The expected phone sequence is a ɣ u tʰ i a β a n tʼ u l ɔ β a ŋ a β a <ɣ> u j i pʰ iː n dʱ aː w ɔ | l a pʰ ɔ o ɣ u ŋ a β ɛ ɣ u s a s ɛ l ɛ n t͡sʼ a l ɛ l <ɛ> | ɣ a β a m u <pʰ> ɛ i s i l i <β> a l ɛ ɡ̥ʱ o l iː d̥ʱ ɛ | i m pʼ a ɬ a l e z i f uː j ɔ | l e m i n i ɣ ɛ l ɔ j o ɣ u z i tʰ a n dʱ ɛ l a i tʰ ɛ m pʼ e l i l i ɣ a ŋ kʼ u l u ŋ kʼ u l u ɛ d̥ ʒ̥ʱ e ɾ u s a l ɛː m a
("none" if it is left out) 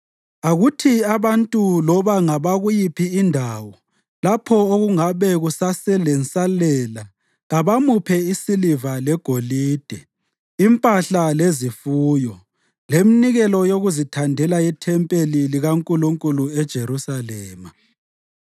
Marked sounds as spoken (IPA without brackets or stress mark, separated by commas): ɣ, a, pʰ, v